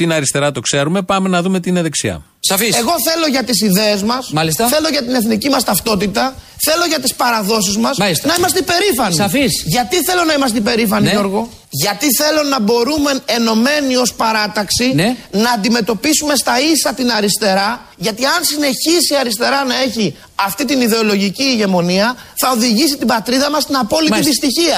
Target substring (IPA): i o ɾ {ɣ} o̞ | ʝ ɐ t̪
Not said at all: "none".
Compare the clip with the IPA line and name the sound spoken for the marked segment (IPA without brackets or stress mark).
ɣ